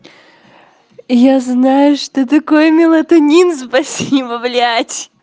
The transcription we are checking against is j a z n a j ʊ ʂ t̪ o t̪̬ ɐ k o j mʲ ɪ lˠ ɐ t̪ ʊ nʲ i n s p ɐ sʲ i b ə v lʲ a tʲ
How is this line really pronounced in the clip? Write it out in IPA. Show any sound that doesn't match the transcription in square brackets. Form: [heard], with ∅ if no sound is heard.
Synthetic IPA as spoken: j a z n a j ʊ ʂ t̪ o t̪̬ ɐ k o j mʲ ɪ lˠ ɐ t̪ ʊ nʲ i n s p ɐ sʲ i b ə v lʲ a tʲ